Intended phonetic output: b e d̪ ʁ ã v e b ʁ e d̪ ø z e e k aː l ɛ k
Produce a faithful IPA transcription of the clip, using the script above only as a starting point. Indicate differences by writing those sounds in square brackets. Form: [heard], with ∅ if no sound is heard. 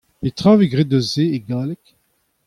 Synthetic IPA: [p] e [t̪] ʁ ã v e [ɡ] ʁ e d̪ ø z e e [ɡ] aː l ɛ k